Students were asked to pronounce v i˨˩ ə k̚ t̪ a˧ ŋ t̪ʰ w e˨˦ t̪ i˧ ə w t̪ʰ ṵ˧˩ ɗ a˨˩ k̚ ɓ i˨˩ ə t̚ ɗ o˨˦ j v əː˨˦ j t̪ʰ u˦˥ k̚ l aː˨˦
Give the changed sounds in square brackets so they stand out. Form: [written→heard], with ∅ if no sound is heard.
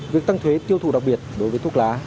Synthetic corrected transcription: v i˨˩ ə k̚ t̪ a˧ ŋ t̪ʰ w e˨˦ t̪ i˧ ə w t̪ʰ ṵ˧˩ ɗ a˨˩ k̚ ɓ i˨˩ ə t̚ ɗ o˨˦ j v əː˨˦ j [t̪ʰ→t̪] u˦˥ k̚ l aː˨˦